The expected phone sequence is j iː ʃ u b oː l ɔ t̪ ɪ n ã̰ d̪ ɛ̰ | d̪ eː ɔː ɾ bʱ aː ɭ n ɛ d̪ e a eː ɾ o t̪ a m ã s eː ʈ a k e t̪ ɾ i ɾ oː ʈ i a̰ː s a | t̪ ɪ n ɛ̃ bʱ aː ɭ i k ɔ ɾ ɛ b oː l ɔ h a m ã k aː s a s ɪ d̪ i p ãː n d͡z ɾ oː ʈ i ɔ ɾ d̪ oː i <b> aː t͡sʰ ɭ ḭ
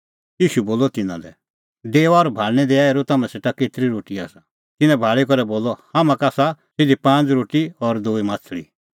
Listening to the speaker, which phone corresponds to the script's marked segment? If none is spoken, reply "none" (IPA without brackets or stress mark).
m